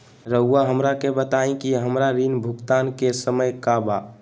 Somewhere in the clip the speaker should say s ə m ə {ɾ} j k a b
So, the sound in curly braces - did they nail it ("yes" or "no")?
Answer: no